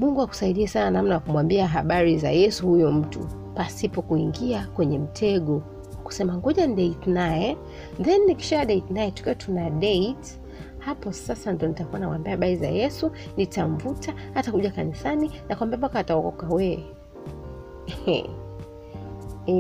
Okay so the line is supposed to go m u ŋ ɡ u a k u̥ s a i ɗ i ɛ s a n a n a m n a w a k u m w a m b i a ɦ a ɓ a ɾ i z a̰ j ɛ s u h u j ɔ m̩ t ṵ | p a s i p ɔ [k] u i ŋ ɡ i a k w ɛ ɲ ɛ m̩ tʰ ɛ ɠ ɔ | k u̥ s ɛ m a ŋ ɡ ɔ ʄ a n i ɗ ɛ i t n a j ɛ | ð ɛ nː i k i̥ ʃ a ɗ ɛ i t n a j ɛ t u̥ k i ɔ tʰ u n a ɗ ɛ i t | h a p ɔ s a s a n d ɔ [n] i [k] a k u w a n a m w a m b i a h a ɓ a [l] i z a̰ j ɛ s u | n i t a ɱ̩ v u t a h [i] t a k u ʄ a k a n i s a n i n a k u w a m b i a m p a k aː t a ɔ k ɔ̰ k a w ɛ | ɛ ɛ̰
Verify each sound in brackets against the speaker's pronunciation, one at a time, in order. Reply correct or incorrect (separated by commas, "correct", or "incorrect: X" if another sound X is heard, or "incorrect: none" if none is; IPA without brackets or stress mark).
correct, correct, incorrect: t, incorrect: ɾ, incorrect: a